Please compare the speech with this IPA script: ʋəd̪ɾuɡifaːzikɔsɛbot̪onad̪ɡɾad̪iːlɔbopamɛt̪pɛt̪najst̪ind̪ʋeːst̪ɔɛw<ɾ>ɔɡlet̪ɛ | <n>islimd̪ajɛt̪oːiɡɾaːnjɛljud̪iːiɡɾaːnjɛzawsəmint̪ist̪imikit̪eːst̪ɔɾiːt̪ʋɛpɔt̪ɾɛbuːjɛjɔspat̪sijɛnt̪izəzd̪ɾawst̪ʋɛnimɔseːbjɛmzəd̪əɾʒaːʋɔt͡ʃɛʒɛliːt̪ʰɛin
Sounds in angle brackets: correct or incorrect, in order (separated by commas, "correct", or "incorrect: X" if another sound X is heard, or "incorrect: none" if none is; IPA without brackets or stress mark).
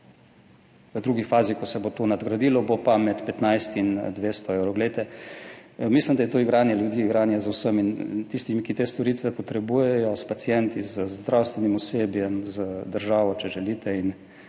correct, incorrect: m